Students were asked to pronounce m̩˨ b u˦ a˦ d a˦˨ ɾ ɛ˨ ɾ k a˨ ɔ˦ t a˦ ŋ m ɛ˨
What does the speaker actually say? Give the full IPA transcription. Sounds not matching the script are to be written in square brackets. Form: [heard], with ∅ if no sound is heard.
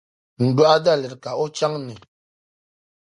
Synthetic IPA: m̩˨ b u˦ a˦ d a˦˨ [l] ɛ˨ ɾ k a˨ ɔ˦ [t͡ʃ] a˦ ŋ [n] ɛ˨